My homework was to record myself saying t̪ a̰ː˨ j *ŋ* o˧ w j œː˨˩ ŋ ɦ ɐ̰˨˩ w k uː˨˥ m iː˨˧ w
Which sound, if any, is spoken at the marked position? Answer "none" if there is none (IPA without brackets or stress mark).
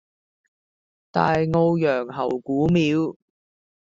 ŋ